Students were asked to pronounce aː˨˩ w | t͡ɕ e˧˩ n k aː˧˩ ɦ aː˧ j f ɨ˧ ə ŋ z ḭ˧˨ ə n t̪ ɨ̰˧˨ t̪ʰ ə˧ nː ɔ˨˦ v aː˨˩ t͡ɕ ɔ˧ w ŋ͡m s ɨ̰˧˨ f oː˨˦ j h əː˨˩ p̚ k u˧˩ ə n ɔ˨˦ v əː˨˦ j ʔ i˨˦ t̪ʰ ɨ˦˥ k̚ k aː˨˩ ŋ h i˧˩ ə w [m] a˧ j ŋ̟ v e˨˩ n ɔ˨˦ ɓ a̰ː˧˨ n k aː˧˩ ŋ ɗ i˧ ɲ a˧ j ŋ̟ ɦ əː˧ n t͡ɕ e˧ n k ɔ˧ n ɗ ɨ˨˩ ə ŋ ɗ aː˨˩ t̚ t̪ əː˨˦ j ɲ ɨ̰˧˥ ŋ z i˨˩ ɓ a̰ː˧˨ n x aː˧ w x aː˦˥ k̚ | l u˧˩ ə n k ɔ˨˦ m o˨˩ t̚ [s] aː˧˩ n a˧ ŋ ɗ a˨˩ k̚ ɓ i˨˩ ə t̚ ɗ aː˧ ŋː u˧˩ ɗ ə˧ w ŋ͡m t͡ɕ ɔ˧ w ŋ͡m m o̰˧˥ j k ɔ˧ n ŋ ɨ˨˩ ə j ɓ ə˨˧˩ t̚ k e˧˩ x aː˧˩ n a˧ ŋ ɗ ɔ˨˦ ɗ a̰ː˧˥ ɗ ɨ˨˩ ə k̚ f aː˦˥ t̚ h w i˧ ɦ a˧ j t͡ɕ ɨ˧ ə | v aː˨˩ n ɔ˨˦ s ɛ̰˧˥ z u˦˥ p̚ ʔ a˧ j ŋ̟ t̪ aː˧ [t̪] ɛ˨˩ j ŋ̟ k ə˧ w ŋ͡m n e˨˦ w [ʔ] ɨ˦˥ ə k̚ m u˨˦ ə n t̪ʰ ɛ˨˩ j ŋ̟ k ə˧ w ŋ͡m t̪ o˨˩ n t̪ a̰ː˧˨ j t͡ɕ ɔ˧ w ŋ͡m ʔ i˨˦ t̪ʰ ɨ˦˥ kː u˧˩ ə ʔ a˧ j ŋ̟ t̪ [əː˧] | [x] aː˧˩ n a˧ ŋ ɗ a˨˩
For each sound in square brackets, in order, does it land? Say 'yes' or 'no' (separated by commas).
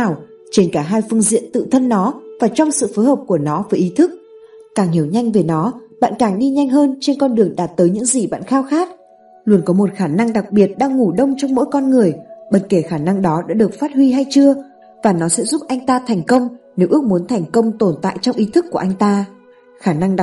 no, no, no, yes, no, yes